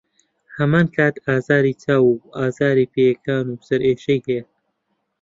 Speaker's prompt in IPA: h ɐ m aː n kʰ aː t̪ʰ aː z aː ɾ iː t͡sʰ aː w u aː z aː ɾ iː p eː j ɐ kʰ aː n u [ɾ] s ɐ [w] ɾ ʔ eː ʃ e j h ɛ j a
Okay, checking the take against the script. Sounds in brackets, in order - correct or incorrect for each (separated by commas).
incorrect, incorrect